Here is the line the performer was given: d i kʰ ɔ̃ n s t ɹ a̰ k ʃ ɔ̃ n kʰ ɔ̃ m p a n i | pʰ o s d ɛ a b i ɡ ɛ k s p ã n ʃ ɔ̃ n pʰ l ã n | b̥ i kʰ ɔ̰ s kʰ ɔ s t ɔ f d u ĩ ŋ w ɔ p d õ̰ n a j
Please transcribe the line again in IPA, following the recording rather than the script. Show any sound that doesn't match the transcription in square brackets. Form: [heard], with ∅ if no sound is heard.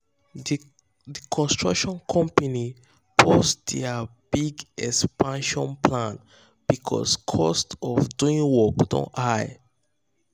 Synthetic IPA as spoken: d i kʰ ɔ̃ n s t ɹ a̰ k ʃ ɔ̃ n kʰ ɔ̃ m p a n i | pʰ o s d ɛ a b i ɡ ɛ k s p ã n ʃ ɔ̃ n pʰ l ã n | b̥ i kʰ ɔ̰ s kʰ ɔ s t ɔ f d u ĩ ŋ w ɔ [k] d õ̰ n a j

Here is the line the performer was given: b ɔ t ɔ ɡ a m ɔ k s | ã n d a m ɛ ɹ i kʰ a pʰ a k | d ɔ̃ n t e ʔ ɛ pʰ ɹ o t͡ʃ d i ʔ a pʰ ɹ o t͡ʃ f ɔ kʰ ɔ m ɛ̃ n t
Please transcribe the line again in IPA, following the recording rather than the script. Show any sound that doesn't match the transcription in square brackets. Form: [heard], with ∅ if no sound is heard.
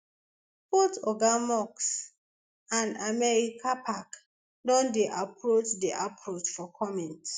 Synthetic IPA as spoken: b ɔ t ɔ ɡ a m ɔ k s | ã n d a m ɛ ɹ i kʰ a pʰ a k | d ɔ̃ n [d] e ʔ [a] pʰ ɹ o t͡ʃ d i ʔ a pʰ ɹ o t͡ʃ f ɔ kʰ ɔ m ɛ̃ n t

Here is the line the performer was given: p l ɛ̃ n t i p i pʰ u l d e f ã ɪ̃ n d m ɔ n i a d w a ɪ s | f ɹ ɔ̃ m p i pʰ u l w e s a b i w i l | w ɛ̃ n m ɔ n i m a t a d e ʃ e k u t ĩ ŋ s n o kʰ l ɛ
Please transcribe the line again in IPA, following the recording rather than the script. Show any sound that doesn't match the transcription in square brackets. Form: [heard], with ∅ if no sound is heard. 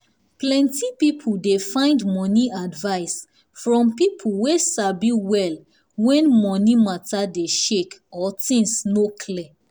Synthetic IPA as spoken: p l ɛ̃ n t i p i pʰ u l d e f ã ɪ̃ n d m ɔ n i a d [v] a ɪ s | f ɹ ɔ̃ m p i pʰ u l w e s a b i w [ɛ] l | w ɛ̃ n m ɔ n i m a t a d e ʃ e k [ɔ] t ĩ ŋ s n o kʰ l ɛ

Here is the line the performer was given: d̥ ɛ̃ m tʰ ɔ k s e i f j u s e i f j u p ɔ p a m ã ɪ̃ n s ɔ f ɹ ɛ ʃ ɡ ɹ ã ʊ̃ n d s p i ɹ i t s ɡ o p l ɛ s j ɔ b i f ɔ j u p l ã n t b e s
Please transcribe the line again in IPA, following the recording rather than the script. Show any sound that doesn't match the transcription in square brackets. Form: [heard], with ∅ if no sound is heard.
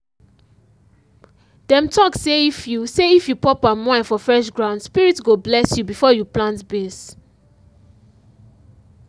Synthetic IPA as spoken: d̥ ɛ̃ m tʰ ɔ k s e i f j u s e i f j u p ɔ p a m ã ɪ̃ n [f] ɔ f ɹ ɛ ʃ ɡ ɹ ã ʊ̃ n d s p i ɹ i t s ɡ o [b] l ɛ s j [u] b i f ɔ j u p l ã n t b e s

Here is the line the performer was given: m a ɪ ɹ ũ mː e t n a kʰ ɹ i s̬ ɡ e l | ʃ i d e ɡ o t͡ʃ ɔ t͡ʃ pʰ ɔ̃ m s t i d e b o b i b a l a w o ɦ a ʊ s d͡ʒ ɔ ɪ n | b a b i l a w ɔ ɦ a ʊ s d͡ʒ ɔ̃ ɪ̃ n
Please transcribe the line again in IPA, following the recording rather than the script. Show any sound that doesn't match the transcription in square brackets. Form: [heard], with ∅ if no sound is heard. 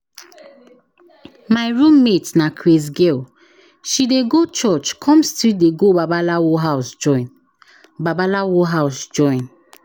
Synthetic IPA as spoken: m a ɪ ɹ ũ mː e t n a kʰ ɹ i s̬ ɡ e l | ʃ i d e ɡ o t͡ʃ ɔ t͡ʃ [kʰ] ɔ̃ m s t i d e [ɡ] o b [a] b a l a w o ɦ a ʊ s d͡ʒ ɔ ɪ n | b a b [a] l a w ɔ ɦ a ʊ s d͡ʒ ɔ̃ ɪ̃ n

